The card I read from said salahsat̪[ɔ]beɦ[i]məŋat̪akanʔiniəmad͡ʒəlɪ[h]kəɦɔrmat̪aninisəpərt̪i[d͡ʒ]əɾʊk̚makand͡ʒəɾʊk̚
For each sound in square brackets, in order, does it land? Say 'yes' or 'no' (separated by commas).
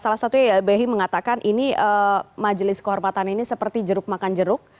no, yes, no, yes